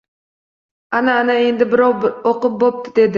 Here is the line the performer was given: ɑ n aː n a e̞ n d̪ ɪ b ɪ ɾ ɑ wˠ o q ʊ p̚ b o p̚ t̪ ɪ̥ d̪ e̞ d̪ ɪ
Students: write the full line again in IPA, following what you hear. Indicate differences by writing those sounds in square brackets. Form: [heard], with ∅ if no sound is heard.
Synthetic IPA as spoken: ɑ n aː n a e̞ n d̪ ɪ b ɪ ɾ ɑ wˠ o q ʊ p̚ b o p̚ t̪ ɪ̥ d̪ e̞ d̪ ɪ